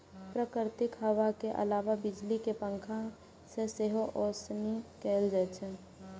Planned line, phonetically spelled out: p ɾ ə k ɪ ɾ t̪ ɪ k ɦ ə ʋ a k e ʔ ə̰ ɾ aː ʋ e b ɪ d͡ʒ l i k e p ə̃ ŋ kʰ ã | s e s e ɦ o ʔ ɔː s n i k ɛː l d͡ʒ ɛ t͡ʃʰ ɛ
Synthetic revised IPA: p ɾ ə k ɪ ɾ t̪ ɪ k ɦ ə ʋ a k e ʔ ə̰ l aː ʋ a b ɪ d͡ʒ l i k e p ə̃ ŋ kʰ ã | s e s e ɦ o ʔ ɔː s n i k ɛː l d͡ʒ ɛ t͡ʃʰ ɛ